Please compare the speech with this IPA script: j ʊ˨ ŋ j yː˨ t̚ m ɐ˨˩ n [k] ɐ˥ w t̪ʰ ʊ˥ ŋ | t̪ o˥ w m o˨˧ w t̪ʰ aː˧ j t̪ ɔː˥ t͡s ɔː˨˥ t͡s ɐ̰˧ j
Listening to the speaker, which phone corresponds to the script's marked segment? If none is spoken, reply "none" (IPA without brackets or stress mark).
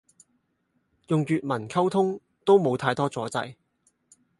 kʰ